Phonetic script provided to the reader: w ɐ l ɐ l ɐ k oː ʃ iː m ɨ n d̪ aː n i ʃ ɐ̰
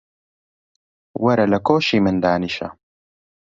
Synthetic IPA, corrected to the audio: w ɐ ɾ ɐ l ɐ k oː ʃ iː m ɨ n d̪ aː n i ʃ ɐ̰